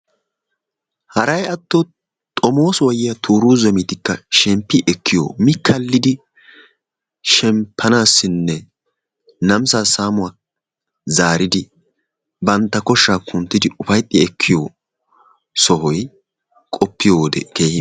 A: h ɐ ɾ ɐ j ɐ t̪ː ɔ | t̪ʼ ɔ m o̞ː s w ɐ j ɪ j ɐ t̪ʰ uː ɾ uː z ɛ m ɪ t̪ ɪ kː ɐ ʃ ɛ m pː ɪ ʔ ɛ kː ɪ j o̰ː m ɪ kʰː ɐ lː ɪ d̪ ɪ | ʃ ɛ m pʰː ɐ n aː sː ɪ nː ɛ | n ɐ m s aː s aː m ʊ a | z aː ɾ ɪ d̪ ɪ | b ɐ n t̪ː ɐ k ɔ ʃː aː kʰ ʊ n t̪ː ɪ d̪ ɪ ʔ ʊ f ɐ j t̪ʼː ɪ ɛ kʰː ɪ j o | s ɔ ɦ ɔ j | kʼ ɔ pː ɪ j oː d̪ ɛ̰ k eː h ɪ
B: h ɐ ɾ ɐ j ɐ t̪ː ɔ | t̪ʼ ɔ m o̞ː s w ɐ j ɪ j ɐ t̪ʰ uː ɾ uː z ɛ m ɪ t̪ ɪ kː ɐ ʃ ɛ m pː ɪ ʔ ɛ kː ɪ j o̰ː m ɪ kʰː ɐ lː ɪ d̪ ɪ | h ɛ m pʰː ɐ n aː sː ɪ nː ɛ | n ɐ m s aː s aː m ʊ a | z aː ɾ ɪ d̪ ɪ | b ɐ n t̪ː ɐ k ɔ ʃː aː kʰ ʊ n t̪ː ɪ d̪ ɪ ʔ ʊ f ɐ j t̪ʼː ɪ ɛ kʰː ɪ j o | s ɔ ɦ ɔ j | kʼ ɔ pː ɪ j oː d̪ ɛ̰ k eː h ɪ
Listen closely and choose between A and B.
A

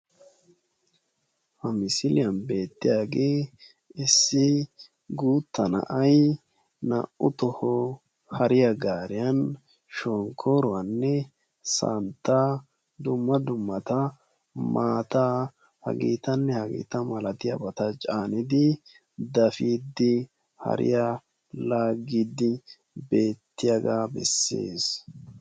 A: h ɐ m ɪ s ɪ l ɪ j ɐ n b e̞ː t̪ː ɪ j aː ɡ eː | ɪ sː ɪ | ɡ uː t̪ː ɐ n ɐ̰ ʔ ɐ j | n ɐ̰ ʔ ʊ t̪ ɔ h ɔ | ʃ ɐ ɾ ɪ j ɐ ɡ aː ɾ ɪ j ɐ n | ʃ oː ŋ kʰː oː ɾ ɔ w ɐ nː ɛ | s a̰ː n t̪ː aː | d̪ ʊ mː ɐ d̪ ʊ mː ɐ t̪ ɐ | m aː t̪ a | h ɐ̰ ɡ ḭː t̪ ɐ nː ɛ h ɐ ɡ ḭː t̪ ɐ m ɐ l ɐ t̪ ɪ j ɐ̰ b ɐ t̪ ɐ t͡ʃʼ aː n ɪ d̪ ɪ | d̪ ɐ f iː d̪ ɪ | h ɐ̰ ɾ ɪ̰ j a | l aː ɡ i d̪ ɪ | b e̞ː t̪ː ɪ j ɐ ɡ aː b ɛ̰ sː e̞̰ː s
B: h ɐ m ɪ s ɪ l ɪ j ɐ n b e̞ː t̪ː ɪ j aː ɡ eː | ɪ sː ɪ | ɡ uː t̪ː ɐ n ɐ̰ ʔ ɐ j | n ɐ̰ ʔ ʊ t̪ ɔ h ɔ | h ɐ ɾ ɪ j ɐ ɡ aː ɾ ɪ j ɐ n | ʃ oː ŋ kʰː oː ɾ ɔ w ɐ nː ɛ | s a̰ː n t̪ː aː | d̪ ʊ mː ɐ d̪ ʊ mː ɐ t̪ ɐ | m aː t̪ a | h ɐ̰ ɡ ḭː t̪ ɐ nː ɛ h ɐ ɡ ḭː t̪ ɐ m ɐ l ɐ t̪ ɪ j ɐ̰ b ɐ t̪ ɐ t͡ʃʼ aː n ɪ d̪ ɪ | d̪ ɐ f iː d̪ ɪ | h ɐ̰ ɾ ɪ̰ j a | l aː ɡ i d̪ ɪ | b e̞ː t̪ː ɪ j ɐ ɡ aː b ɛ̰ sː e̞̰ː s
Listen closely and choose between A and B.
B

